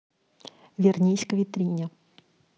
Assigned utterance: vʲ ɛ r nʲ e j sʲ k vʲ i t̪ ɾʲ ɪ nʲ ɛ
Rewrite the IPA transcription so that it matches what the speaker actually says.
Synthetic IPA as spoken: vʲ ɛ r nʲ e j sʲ k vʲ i t̪ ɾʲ i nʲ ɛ

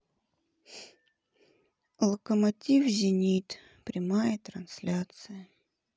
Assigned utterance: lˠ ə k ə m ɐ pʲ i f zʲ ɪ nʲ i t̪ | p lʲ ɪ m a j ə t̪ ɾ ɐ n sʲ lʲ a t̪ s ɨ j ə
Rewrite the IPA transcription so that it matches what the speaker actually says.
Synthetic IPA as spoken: lˠ ə k ə m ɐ tʲ i f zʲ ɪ nʲ i t̪ | p ɾʲ ɪ m a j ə t̪ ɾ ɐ n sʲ lʲ a t̪ s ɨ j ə

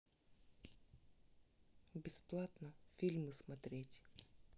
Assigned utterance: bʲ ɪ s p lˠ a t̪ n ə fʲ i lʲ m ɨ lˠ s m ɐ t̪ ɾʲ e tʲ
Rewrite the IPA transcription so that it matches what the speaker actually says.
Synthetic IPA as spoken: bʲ ɪ s p lˠ a t̪ n ə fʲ i lʲ m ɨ s m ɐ t̪ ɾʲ e tʲ

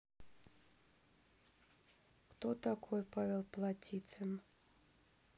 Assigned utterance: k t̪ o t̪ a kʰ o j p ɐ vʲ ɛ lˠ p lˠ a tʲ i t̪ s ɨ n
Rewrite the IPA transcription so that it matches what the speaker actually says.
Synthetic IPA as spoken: k t̪ o t̪ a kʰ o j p a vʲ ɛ lˠ p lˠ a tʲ i t̪ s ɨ n

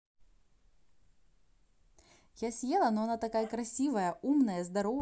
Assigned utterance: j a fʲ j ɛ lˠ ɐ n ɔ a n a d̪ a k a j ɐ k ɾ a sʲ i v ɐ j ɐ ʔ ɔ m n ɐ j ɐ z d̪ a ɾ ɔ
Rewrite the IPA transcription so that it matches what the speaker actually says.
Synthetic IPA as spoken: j a sʲ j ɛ lˠ ɐ n ɔ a n a t̪ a k a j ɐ k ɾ a sʲ i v ɐ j ɐ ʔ u m n ɐ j ɐ z d̪ a ɾ ɔ

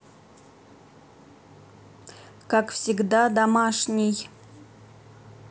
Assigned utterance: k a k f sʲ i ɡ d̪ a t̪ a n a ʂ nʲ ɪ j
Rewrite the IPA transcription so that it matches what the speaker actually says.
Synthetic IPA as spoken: k a k f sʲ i ɡ d̪ a d̪ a m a ʂ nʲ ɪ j

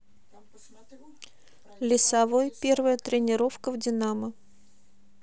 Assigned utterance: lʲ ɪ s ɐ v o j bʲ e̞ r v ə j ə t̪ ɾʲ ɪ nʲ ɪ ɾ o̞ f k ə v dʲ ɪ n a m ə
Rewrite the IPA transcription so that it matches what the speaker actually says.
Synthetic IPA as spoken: lʲ ɪ s ɐ v o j pʲ e̞ r v ə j ə t̪ ɾʲ ɪ nʲ ɪ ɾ o̞ f k ə v dʲ ɪ n a m ə

